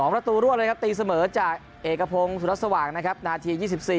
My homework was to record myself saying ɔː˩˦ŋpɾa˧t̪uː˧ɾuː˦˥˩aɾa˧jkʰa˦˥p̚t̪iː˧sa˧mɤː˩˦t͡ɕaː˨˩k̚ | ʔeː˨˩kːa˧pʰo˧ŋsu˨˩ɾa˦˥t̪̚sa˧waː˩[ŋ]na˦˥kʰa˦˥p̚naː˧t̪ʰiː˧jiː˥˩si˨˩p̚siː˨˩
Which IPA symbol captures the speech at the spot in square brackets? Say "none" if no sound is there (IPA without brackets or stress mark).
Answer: ŋ